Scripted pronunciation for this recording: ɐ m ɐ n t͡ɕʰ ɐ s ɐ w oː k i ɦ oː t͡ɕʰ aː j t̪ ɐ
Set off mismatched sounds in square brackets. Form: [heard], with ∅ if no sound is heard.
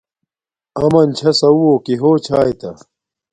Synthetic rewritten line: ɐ m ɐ n t͡ɕʰ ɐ s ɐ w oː k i ɦ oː t͡ɕʰ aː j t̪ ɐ